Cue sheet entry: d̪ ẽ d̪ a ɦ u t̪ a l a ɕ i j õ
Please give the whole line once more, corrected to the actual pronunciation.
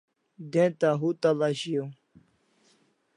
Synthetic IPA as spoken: d̪ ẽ t̪ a ɦ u t̪ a l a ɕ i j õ